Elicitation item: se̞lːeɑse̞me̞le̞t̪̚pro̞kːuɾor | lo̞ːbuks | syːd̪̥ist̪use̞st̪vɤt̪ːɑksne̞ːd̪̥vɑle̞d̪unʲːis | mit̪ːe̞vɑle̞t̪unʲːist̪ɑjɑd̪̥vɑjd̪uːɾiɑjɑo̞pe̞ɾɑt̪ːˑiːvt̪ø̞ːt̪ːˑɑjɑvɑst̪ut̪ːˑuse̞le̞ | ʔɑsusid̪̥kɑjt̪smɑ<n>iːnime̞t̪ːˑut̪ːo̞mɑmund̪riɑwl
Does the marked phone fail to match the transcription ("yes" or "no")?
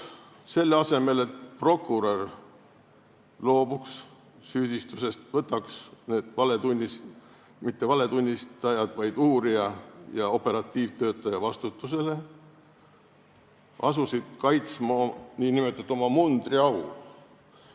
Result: no